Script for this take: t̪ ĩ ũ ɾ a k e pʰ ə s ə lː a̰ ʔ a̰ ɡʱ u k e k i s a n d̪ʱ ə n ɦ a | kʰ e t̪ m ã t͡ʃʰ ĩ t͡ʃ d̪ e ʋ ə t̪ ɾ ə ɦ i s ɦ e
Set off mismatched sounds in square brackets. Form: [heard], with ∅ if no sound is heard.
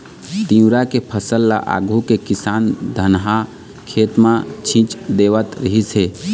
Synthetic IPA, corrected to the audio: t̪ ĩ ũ ɾ a k e pʰ ə s ə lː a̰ ʔ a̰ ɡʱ u k e k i s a n d̪ʱ ə n ɦ a | kʰ e t̪ m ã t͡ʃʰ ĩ t͡ʃ d̪ e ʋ ə t̪ ɾ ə ɦ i s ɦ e